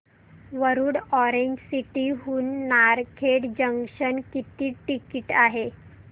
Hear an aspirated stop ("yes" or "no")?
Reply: yes